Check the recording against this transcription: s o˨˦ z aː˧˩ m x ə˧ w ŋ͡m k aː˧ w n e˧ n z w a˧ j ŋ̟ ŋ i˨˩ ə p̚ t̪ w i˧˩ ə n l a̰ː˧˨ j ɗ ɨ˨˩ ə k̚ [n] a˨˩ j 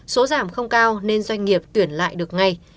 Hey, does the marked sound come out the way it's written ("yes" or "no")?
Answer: no